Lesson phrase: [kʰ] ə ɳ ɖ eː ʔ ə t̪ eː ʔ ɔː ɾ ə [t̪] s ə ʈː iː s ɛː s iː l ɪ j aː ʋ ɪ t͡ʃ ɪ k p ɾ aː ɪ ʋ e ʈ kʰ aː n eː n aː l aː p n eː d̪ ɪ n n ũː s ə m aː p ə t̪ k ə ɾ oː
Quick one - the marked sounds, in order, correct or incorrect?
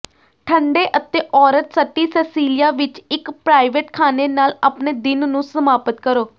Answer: incorrect: ʈʰ, correct

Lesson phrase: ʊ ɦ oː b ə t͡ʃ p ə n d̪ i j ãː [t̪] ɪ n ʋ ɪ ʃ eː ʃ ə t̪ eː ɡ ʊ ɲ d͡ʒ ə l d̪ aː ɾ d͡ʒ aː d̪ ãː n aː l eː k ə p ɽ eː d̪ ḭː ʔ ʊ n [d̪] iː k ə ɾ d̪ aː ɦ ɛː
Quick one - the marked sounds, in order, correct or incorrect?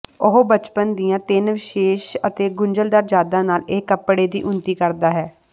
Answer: correct, incorrect: t̪

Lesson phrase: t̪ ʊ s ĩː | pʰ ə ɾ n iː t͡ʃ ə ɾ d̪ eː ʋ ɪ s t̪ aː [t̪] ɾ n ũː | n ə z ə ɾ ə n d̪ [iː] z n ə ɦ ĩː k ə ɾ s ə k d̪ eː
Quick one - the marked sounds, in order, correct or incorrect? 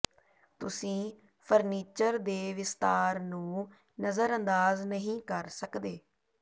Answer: incorrect: none, incorrect: aː

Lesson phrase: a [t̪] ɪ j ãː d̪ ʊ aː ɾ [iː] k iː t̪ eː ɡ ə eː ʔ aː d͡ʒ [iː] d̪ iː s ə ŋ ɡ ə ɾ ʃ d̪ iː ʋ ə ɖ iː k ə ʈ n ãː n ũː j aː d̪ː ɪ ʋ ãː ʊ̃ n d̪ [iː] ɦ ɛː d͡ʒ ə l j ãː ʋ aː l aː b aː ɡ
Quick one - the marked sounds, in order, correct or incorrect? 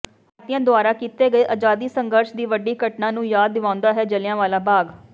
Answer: correct, incorrect: aː, incorrect: aː, incorrect: aː

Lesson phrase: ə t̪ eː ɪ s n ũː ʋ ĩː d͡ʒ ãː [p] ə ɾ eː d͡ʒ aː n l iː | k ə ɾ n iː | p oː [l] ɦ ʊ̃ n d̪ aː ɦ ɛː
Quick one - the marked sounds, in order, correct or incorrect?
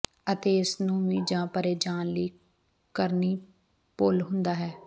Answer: correct, correct

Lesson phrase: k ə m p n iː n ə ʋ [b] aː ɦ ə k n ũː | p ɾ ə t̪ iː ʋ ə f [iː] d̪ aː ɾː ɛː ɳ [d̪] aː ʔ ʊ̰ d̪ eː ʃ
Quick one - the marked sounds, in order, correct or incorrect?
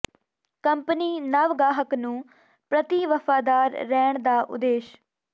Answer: incorrect: ɡ, incorrect: aː, correct

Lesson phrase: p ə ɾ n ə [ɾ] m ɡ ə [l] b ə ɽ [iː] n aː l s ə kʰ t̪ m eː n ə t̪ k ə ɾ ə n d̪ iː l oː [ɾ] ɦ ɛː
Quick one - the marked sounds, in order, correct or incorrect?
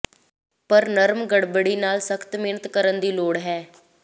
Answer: correct, incorrect: ɽ, correct, incorrect: ɽ

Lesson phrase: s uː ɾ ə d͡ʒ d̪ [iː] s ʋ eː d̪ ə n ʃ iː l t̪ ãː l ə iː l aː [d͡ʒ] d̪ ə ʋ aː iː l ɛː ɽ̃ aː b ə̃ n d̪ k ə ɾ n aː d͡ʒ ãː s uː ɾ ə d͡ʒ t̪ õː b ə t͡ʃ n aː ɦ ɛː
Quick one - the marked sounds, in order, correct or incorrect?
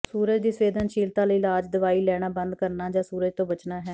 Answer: correct, correct

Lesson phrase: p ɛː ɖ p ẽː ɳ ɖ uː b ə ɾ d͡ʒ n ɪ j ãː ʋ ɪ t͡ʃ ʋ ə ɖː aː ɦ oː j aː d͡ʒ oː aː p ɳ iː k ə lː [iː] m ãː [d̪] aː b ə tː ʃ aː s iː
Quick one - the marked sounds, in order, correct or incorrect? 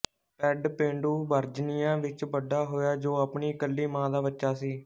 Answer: correct, correct

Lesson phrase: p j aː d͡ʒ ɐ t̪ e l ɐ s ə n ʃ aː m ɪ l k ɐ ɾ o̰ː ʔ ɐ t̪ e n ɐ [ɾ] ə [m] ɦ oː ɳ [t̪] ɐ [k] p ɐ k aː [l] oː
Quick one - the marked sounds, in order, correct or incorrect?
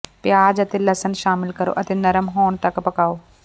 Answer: correct, correct, correct, correct, incorrect: none

